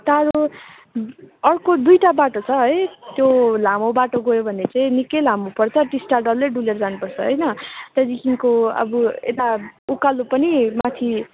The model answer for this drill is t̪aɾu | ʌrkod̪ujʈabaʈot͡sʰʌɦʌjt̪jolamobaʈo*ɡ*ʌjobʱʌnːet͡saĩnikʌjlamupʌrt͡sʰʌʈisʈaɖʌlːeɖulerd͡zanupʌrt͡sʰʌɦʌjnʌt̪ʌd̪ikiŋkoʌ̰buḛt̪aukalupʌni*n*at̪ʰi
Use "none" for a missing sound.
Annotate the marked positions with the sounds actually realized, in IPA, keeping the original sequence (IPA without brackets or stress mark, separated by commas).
ɡ, m